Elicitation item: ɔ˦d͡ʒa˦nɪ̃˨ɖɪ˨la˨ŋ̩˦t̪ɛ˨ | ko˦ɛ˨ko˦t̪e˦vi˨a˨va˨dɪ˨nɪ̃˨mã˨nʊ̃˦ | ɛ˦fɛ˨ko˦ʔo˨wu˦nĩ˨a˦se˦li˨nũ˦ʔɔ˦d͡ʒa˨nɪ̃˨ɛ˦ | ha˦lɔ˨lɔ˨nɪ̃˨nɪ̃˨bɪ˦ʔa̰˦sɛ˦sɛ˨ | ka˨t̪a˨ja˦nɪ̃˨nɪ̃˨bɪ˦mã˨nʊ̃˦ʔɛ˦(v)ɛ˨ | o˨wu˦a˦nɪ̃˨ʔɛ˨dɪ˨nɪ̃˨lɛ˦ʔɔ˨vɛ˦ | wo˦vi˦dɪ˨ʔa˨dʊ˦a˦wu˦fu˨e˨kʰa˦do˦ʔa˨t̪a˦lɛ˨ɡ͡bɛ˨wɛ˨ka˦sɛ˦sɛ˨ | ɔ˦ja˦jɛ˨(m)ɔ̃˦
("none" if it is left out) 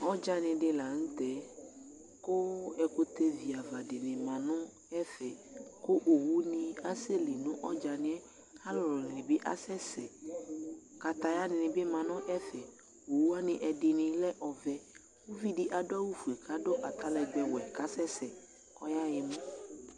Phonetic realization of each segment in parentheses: f, m

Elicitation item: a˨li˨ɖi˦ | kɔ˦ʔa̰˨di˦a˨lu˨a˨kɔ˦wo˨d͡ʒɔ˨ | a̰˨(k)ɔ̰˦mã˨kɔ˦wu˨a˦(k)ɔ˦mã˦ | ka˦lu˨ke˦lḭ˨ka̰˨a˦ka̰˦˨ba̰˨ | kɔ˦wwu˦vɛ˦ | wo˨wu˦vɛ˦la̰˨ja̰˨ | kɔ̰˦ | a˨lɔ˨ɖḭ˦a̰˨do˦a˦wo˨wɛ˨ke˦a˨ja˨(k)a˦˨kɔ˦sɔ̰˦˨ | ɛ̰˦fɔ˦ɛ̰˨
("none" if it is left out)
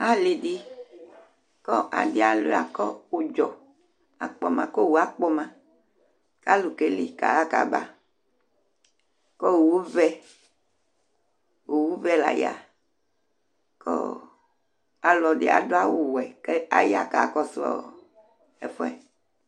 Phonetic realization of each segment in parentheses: k͡p, k͡p, k

